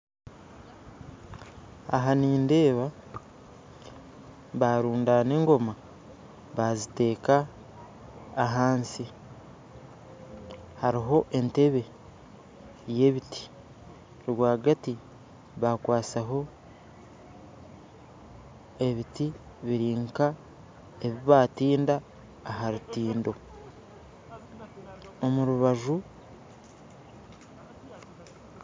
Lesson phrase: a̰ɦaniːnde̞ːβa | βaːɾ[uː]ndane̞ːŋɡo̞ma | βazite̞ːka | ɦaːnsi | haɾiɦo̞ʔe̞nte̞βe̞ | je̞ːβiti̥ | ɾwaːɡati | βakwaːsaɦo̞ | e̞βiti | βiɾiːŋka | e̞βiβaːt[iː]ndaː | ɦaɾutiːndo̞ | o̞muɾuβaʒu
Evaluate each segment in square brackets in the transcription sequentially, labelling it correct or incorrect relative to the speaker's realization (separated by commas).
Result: correct, correct